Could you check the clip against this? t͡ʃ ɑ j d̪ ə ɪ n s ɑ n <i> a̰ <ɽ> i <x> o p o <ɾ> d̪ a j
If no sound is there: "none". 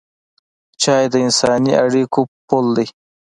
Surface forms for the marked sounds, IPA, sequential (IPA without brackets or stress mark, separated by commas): i, ɽ, k, l